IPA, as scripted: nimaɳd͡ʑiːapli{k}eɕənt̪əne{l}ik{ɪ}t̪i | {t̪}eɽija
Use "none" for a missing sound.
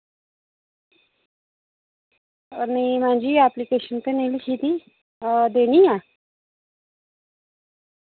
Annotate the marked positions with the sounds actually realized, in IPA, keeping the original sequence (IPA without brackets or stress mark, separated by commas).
k, l, i, d̪